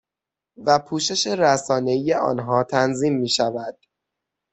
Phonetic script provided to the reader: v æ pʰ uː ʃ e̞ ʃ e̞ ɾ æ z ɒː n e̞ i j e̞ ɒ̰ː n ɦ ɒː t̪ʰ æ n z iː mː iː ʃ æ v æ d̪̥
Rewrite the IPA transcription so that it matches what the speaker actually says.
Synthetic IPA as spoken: v æ pʰ uː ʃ e̞ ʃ e̞ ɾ æ s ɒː n e̞ i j e̞ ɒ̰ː n ɦ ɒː t̪ʰ æ n z iː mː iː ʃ æ v æ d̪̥